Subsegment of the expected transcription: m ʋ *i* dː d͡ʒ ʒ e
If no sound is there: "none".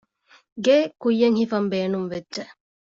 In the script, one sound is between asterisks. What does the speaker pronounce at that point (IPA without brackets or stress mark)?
e